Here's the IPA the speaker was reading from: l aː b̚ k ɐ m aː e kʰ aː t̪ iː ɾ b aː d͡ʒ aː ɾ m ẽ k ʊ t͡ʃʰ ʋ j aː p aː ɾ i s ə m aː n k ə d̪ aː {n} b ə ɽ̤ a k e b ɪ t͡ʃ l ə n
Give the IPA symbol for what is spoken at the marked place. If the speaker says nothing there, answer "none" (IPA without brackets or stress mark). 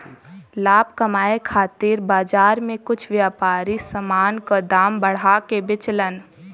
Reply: m